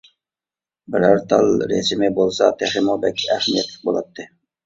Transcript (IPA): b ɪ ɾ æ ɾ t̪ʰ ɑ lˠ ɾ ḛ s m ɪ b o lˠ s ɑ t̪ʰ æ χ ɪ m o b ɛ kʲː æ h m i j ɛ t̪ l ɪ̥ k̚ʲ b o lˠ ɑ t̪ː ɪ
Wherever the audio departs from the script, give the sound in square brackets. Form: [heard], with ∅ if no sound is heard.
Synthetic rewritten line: b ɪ ɾ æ ɾ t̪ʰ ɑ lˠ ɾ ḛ s m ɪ b o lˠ s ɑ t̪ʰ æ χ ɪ m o b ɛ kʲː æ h m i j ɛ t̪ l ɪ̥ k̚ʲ b o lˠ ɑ t̪ː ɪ